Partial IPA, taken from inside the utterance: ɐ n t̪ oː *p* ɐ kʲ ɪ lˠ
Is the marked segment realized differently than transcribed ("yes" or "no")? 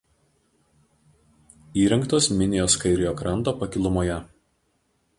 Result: no